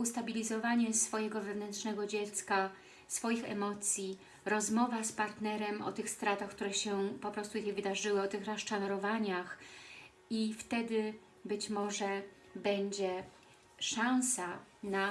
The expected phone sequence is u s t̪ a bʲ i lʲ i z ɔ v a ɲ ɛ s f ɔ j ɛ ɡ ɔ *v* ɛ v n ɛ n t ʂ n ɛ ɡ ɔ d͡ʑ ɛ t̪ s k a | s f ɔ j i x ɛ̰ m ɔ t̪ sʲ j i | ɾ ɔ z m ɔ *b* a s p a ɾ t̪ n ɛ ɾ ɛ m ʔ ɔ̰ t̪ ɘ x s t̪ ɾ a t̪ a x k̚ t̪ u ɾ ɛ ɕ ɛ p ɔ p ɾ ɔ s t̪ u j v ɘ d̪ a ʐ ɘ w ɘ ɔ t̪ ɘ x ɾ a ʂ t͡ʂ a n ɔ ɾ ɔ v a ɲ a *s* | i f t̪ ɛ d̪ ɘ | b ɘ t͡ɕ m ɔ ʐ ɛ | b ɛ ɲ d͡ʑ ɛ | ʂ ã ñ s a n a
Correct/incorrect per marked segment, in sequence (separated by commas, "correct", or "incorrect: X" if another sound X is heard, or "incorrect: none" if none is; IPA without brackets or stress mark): correct, incorrect: v, incorrect: x